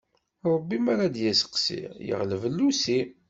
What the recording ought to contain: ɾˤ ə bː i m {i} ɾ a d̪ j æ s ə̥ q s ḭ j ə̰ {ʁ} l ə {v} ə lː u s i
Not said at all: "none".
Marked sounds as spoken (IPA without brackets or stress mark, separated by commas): a, ʁ, v